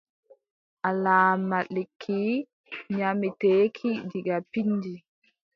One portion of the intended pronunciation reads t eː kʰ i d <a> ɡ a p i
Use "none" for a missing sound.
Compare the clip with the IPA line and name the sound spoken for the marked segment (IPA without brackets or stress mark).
i